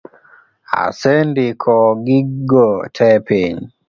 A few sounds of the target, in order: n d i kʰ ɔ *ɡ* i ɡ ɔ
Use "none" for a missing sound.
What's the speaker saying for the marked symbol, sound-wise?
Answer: ɡ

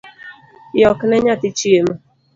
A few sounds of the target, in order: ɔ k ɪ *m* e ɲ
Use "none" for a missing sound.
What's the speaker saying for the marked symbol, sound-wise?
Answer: n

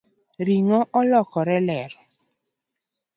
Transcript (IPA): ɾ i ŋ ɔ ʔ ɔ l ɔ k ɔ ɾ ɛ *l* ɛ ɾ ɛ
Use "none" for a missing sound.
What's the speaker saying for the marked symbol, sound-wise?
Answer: l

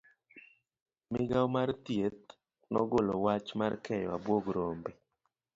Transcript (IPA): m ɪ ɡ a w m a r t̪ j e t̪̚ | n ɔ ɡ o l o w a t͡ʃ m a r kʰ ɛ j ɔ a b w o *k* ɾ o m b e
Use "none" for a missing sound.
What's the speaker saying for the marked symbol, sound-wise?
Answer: ɡ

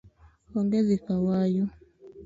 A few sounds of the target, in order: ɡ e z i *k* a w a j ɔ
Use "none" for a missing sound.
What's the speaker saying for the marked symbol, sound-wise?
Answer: k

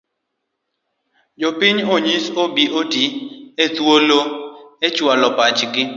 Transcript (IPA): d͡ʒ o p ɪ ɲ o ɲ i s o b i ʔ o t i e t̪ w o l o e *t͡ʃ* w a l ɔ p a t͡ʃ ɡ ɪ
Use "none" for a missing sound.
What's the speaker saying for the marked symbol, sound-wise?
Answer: t͡ʃ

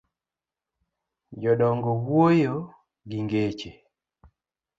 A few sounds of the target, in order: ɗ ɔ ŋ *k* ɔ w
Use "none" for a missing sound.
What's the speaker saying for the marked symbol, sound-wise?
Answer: ɡ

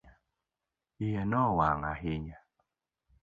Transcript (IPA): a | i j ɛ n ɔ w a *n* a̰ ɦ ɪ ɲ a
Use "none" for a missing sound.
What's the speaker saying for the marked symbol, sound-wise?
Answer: ŋ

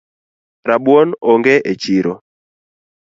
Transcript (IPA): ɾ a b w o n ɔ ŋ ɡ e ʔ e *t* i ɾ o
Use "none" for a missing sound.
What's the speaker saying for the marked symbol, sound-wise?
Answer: t͡ʃ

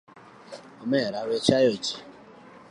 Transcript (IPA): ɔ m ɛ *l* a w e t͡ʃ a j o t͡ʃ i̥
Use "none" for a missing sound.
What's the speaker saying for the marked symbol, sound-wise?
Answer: ɾ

